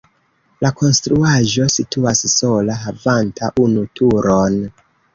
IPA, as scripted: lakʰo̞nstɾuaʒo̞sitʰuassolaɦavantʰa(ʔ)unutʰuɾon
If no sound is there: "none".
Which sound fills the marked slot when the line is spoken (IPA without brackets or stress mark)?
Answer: ʔ